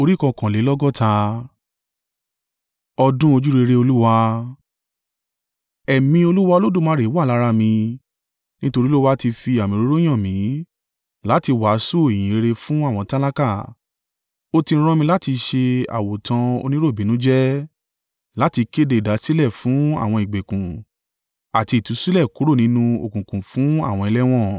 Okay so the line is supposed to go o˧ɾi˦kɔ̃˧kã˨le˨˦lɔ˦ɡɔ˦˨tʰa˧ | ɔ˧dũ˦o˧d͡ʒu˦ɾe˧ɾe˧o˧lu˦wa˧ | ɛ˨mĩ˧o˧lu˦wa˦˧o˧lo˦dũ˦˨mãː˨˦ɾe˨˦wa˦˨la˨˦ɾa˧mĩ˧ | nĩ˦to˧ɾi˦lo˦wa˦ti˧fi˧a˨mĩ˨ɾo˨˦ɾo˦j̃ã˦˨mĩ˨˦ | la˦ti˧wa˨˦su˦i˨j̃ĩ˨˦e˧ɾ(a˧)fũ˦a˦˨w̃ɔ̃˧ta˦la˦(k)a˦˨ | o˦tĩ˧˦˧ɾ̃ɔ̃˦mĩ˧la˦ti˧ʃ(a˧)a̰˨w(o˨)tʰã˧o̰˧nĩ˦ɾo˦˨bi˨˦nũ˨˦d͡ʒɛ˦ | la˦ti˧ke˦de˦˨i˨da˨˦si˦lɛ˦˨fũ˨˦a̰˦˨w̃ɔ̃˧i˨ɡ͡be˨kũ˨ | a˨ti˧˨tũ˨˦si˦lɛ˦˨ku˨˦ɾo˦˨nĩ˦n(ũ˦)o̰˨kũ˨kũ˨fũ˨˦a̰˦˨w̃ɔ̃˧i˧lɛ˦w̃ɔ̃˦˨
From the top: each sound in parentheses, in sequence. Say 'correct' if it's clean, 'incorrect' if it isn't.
incorrect: e˧, correct, incorrect: e˧, correct, correct

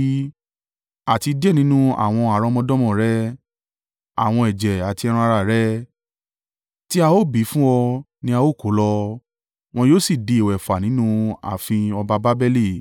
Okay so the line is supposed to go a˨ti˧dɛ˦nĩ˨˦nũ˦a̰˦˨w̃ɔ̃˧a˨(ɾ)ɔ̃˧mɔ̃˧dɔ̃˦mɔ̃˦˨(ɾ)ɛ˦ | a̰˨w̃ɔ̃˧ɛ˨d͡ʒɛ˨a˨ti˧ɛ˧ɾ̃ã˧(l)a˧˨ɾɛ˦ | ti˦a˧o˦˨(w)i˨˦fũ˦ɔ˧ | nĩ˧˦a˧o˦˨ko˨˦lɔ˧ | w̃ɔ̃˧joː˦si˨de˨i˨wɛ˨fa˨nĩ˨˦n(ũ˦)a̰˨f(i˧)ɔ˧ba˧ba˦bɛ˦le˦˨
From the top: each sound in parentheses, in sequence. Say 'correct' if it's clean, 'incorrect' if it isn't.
correct, correct, incorrect: ɾ, incorrect: b, correct, incorrect: ĩ˧

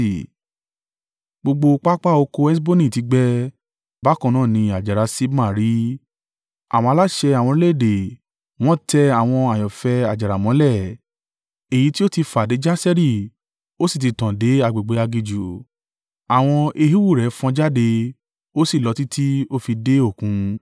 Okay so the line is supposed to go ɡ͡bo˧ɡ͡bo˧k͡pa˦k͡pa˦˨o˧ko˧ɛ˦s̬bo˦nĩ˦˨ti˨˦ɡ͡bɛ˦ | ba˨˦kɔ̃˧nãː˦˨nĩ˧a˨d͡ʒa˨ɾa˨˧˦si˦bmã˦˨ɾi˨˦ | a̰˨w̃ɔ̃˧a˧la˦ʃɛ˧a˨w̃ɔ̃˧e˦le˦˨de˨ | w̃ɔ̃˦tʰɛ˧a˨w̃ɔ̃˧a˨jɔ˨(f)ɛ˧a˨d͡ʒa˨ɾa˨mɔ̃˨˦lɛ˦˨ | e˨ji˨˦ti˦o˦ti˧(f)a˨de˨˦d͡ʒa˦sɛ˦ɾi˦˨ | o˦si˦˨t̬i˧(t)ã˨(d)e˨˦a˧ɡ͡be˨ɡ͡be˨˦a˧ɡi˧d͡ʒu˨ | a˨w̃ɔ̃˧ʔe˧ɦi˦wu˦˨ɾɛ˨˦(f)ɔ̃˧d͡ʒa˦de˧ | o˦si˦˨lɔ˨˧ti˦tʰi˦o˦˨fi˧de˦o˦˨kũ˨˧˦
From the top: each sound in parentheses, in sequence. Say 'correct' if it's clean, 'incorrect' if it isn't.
correct, correct, correct, correct, correct

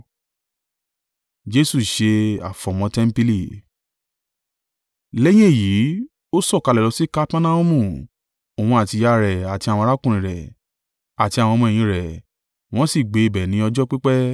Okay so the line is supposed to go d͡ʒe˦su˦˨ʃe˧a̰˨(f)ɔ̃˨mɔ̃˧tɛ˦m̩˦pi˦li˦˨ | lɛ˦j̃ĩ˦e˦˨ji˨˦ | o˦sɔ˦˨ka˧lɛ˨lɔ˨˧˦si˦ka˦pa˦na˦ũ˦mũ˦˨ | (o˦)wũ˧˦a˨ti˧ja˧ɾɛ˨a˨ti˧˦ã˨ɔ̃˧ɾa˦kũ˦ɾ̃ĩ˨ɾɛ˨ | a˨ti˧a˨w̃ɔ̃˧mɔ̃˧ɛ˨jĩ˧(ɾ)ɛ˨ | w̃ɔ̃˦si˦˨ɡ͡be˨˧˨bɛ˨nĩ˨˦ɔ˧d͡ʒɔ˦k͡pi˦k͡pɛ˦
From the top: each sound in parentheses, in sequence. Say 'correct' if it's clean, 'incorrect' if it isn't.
correct, incorrect: o˨, correct

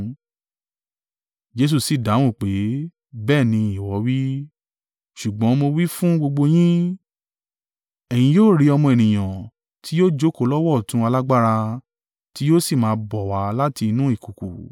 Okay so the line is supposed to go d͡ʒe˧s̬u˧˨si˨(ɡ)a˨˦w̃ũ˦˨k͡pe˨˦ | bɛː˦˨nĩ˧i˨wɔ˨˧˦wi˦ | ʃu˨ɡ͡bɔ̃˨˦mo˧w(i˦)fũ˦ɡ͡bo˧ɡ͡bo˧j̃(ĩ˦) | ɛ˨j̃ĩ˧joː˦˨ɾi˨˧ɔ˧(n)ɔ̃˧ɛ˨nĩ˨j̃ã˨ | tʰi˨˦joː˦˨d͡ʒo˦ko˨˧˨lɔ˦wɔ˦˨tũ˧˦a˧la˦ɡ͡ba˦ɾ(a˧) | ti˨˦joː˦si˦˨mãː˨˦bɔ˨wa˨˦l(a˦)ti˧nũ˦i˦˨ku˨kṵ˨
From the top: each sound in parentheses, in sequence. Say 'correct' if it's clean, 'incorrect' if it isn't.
incorrect: d, correct, correct, incorrect: m, correct, correct

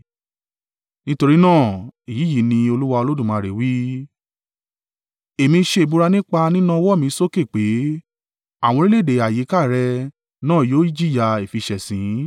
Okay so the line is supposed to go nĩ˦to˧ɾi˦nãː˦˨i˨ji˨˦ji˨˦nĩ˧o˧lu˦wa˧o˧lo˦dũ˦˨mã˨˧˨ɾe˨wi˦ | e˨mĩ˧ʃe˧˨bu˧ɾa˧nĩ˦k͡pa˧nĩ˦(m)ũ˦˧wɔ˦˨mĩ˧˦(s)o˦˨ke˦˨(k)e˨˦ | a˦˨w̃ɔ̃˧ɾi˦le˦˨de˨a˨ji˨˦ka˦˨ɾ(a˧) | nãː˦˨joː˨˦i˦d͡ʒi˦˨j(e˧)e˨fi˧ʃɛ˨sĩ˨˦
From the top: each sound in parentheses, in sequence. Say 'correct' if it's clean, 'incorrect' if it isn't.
incorrect: n, correct, incorrect: k͡p, incorrect: ɛ˧, incorrect: a˧

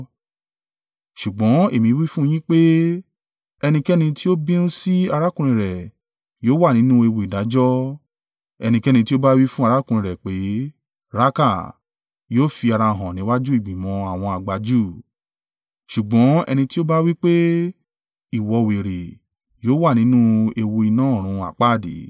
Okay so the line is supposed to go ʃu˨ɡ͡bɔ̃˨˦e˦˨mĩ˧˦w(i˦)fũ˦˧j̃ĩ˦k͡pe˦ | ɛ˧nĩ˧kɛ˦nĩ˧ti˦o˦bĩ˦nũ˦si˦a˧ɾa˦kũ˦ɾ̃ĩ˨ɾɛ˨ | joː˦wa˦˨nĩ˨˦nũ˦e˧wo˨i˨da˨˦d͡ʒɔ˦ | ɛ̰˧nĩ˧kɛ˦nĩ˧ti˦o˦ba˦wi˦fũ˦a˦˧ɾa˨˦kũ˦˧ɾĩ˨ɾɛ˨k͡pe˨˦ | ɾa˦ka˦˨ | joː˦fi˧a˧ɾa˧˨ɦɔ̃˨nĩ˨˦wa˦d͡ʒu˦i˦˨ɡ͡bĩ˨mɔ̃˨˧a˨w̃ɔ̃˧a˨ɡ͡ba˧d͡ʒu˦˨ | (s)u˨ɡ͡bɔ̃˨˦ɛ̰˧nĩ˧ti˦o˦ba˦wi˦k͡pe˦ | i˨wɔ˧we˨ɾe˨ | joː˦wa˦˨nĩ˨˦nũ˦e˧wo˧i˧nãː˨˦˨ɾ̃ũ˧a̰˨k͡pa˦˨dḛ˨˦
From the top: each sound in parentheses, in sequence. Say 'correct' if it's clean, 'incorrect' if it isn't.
correct, incorrect: ʃ

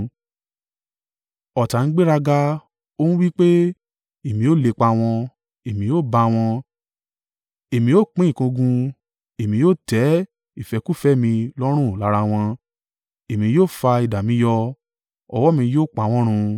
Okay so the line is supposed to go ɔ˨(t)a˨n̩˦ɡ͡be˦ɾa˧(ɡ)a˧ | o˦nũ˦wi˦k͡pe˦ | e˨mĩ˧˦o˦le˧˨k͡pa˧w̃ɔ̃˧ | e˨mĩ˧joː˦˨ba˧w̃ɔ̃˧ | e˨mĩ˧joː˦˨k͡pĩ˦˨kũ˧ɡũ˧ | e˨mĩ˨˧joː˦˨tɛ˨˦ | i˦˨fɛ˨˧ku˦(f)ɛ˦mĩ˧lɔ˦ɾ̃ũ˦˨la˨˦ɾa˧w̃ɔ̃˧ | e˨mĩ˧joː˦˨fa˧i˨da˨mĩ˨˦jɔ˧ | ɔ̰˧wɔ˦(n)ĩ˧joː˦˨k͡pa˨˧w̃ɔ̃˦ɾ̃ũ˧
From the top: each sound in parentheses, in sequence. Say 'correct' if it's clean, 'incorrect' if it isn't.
correct, correct, correct, incorrect: m

